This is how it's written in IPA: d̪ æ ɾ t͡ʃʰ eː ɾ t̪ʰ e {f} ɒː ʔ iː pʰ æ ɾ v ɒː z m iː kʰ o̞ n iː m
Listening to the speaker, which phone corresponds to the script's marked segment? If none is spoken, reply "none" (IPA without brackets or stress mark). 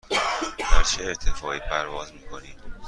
f